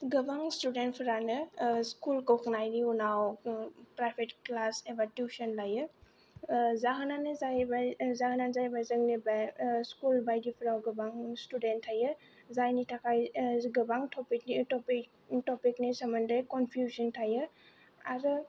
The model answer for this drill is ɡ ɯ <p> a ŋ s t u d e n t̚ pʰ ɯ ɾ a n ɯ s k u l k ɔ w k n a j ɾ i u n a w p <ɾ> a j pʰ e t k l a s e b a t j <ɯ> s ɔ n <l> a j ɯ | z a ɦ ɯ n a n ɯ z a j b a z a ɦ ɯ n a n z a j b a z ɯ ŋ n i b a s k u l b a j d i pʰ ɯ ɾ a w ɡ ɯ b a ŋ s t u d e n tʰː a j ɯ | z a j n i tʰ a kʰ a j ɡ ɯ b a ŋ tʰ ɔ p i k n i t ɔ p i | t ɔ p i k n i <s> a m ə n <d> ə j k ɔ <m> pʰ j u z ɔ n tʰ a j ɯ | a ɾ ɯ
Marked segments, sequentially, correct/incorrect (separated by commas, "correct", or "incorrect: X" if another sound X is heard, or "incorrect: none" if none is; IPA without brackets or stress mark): incorrect: b, correct, incorrect: u, correct, correct, correct, incorrect: n